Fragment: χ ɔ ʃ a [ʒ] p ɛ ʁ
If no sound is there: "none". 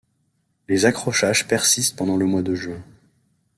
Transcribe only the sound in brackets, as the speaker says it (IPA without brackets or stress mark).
ʒ